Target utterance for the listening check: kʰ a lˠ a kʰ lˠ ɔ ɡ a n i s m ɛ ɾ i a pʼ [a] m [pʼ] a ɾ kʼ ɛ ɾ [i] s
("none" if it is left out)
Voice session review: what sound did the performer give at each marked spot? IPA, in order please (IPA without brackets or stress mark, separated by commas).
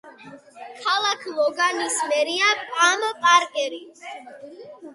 a, pʼ, i